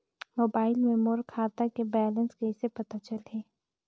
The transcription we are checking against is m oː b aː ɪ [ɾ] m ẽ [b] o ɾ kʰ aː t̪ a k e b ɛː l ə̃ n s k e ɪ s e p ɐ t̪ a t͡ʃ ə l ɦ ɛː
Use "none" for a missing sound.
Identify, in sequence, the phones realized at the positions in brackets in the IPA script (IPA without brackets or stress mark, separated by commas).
l, m